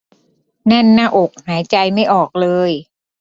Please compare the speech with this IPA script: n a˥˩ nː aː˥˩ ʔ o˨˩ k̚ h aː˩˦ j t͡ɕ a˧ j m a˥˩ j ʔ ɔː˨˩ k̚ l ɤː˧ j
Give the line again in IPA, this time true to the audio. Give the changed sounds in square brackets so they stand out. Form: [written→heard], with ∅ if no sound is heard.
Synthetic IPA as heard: n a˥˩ nː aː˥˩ ʔ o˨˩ k̚ h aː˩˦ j t͡ɕ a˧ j m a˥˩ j ʔ ɔː˨˩ k̚ l ɤː˧ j

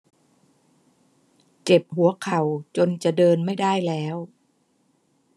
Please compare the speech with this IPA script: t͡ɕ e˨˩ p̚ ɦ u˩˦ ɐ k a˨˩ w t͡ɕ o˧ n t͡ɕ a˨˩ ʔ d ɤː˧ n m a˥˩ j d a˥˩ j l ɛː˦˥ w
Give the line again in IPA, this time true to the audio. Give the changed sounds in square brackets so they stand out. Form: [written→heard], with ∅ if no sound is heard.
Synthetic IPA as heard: t͡ɕ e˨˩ p̚ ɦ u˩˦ ɐ [k→kʰ] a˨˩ w t͡ɕ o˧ n t͡ɕ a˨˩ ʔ d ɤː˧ n m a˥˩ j d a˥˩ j l ɛː˦˥ w

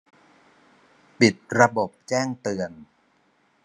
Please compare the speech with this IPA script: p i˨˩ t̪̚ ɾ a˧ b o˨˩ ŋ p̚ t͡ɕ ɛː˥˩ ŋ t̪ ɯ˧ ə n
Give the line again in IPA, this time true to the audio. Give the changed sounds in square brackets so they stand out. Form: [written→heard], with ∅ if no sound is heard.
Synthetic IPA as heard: p i˨˩ t̪̚ ɾ a˧ b o˨˩ [ŋ→∅] p̚ t͡ɕ ɛː˥˩ ŋ t̪ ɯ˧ ə n

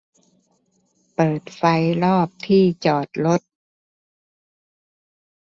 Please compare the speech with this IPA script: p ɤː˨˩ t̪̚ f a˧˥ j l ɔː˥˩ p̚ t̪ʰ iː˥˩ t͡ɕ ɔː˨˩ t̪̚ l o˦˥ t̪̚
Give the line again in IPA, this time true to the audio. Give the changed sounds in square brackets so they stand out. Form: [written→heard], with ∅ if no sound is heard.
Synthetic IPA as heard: p ɤː˨˩ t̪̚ f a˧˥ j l ɔː˥˩ p̚ t̪ʰ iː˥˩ t͡ɕ ɔː˨˩ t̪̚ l o˦˥ t̪̚

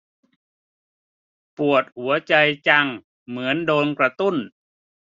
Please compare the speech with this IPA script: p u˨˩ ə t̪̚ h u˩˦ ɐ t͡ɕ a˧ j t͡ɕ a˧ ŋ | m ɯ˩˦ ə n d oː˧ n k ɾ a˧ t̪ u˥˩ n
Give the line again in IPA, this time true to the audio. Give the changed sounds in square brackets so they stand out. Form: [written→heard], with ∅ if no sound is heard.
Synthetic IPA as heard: p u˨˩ ə t̪̚ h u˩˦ ɐ t͡ɕ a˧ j t͡ɕ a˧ ŋ | m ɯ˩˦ ə n d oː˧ n k ɾ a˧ t̪ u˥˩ n

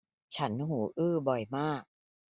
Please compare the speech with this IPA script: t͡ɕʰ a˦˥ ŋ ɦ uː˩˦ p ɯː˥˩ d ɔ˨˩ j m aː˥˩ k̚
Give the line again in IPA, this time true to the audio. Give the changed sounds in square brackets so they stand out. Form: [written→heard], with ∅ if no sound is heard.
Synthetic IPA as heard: t͡ɕʰ a˦˥ [ŋ→n] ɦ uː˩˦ [p→ʔ] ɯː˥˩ [d→b] ɔ˨˩ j m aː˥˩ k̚

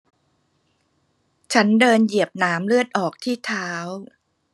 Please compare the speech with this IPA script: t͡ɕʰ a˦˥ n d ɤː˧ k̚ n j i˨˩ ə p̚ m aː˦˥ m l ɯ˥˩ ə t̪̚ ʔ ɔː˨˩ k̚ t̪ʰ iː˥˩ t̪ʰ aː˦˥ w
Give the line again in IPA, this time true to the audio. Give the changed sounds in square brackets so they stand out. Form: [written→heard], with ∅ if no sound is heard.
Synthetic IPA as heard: t͡ɕʰ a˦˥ n d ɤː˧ [k̚→∅] n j i˨˩ ə p̚ [m→n] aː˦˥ m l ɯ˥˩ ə t̪̚ ʔ ɔː˨˩ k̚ t̪ʰ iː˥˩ t̪ʰ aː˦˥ w

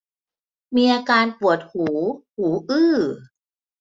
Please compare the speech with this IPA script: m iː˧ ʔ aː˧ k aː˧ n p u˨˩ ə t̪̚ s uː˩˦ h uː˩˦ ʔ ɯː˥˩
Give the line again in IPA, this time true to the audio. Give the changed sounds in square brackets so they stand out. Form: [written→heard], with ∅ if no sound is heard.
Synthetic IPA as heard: m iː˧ ʔ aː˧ k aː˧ n p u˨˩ ə t̪̚ [s→h] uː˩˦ h uː˩˦ ʔ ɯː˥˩

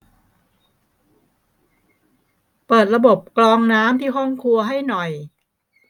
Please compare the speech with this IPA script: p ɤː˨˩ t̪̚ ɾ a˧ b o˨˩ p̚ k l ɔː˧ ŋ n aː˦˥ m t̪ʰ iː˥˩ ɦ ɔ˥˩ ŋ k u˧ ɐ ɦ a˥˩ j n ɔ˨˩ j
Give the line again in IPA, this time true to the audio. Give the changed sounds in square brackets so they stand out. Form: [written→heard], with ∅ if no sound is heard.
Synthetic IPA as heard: p ɤː˨˩ t̪̚ ɾ a˧ b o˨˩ p̚ k l ɔː˧ ŋ n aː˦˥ m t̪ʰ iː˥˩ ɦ ɔ˥˩ ŋ [k→kʰ] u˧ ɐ ɦ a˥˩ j n ɔ˨˩ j

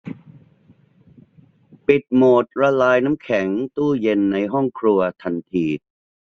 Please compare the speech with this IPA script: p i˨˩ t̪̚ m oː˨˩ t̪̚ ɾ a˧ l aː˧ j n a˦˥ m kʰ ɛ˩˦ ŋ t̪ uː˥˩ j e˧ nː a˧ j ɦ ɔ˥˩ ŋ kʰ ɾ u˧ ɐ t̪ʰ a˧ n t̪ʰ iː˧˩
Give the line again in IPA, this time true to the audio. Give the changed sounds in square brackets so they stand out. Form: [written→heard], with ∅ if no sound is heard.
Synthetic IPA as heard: p i˨˩ t̪̚ m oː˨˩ t̪̚ ɾ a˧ l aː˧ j n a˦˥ m kʰ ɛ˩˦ ŋ t̪ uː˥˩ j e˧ nː a˧ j ɦ ɔ˥˩ ŋ kʰ ɾ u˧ ɐ t̪ʰ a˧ n t̪ʰ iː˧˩

